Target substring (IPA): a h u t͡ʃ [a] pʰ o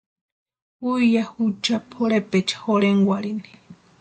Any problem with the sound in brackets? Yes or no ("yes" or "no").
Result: no